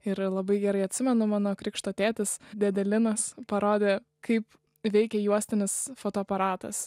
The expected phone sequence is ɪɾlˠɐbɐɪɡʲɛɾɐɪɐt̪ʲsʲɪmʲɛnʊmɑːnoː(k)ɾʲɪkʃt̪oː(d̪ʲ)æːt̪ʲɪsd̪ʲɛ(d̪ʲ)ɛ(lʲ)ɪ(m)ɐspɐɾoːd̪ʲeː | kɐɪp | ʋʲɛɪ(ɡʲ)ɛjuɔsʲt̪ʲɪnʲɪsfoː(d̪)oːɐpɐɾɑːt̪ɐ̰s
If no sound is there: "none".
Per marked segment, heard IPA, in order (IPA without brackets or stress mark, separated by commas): k, t̪ʲ, d̪ʲ, lʲ, n, kʲ, t̪